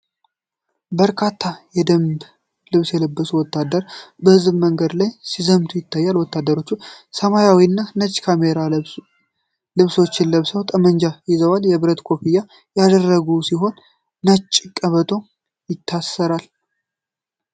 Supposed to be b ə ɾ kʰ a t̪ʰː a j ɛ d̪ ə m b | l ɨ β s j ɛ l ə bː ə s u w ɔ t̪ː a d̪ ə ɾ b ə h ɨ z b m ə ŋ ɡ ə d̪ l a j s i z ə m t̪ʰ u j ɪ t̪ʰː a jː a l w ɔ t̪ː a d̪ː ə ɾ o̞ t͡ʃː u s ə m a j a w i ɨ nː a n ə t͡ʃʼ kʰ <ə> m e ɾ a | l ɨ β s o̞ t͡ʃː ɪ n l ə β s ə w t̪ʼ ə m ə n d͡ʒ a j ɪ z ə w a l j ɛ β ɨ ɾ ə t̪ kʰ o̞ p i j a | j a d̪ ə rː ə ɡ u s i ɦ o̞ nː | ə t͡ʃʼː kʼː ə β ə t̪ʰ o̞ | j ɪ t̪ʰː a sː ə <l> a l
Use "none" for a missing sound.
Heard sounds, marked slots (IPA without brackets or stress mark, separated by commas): a, ɾ